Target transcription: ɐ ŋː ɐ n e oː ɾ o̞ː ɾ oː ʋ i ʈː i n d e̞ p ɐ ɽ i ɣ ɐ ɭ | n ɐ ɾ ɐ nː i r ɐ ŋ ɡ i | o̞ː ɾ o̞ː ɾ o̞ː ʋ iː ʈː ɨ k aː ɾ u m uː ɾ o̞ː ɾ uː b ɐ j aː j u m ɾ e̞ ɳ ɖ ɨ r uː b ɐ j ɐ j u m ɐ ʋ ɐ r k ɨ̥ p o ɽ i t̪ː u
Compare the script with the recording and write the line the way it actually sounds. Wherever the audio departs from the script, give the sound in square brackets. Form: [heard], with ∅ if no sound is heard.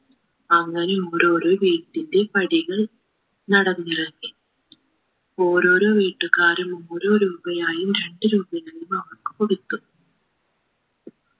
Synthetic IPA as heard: ɐ ŋː ɐ n e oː ɾ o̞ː ɾ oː ʋ [iː] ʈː i n d e̞ p ɐ ɽ i ɣ ɐ ɭ | n ɐ [ɽ] ɐ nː i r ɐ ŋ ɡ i | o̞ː ɾ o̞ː ɾ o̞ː ʋ iː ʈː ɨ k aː ɾ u m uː ɾ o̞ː ɾ uː b ɐ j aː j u m ɾ e̞ ɳ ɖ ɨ [ɾ] uː b ɐ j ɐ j u m ɐ ʋ ɐ r k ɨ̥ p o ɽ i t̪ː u